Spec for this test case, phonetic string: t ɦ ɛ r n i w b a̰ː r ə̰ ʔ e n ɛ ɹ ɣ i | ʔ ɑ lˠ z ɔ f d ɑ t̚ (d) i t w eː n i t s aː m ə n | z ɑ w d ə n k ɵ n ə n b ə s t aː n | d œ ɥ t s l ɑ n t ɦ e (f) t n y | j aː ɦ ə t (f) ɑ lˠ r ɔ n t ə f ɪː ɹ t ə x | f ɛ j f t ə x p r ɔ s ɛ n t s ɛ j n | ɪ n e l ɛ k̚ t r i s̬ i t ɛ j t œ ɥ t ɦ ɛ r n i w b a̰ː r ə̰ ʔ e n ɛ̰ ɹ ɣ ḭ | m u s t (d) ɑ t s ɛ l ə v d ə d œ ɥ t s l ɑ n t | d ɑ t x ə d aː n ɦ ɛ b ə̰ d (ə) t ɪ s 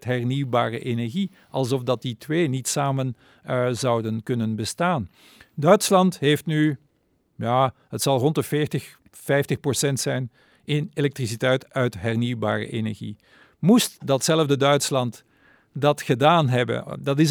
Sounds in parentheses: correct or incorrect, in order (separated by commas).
correct, correct, incorrect, correct, incorrect